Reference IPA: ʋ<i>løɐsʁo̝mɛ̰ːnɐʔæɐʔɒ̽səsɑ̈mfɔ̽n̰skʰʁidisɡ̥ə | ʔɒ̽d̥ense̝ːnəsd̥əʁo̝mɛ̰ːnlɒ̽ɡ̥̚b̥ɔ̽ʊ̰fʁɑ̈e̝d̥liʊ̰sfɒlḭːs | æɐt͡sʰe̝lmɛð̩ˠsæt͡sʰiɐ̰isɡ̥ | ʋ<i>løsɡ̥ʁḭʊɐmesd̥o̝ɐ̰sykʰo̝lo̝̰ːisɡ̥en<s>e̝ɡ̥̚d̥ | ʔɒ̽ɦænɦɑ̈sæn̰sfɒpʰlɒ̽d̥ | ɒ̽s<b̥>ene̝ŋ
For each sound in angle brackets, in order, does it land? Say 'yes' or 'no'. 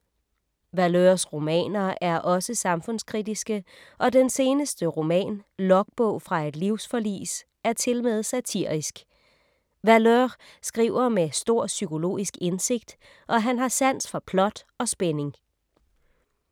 no, no, yes, yes

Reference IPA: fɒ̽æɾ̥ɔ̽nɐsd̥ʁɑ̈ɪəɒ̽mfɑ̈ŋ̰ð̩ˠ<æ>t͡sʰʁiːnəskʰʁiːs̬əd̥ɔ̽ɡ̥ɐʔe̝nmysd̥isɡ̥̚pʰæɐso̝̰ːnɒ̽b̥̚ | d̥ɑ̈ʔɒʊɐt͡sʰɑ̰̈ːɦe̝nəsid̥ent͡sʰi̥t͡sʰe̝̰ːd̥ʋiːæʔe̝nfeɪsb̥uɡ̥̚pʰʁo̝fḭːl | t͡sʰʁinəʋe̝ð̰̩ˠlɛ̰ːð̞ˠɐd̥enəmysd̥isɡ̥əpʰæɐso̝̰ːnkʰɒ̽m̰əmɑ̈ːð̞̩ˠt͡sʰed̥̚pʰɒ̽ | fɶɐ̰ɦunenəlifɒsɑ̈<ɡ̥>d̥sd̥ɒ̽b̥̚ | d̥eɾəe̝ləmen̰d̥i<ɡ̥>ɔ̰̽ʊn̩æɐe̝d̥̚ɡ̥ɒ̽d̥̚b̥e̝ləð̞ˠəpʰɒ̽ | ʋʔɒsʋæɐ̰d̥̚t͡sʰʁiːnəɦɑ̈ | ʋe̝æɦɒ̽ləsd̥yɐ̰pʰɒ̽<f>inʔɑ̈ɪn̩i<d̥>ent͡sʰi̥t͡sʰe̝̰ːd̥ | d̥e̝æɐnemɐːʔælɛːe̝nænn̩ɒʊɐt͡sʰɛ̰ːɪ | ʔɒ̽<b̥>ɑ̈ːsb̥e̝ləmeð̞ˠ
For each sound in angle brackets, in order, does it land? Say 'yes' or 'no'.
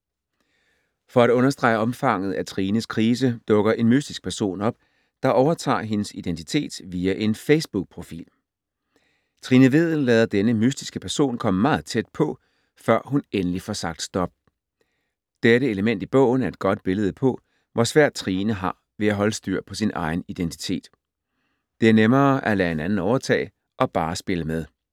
yes, yes, no, no, yes, yes

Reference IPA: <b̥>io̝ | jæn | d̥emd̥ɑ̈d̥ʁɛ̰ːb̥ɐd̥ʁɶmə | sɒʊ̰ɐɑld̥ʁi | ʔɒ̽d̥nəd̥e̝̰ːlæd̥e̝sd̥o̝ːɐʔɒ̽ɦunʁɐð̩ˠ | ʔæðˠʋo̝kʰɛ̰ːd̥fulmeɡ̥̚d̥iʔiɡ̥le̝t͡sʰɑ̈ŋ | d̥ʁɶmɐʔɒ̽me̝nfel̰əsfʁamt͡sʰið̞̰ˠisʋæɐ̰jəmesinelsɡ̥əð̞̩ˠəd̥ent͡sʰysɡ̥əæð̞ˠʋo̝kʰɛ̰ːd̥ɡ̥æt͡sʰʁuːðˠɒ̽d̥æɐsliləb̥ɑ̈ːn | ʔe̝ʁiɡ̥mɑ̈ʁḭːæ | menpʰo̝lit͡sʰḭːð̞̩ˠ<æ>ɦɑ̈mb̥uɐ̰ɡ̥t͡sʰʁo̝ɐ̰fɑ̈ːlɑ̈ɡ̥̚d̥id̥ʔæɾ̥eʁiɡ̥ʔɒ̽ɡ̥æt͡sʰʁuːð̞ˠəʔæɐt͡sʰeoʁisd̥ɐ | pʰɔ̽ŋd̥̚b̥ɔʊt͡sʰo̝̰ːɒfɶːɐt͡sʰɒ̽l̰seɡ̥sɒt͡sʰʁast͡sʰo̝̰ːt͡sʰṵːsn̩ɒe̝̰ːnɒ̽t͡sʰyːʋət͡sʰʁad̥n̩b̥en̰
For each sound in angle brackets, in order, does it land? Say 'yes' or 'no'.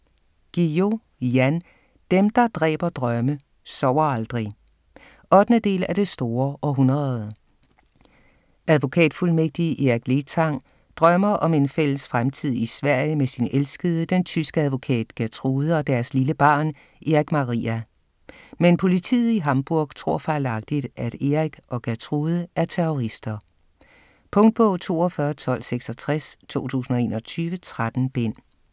no, no

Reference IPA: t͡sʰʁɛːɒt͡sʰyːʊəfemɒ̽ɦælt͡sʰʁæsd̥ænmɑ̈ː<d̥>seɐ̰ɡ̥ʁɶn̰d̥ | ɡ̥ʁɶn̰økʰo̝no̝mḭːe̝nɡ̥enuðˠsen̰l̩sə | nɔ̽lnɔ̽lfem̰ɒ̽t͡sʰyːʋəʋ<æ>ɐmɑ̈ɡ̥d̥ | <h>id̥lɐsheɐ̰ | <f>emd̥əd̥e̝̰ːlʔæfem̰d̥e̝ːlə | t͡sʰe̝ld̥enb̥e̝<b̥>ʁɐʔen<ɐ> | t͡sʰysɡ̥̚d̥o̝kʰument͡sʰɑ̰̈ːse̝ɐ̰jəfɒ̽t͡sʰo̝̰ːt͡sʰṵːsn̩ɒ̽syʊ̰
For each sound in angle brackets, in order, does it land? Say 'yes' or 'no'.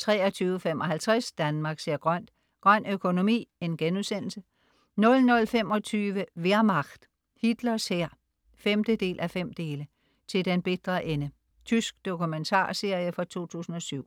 no, no, yes, yes, no, no

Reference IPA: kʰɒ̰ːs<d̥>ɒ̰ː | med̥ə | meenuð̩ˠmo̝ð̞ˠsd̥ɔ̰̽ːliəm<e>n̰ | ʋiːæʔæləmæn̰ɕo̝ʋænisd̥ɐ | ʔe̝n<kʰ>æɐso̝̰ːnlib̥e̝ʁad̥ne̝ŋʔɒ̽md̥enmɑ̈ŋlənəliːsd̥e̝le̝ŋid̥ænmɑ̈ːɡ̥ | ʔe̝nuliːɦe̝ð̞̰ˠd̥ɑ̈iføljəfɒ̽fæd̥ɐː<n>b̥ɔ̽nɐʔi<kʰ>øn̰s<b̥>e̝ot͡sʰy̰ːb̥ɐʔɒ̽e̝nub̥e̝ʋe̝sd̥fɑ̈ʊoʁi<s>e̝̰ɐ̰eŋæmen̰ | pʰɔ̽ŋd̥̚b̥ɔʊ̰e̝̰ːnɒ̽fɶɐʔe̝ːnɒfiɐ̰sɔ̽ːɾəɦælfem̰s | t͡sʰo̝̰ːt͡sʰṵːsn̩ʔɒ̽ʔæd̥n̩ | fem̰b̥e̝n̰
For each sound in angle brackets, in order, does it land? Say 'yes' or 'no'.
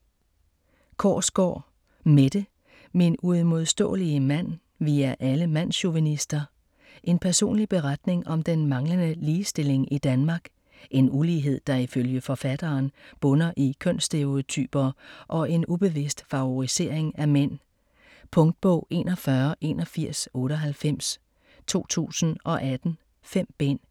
no, no, no, yes, yes, no, yes

